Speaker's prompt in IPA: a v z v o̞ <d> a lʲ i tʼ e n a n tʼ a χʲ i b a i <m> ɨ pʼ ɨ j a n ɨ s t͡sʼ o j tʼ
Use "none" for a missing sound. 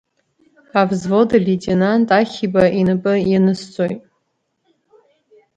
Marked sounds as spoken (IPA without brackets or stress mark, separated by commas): d, n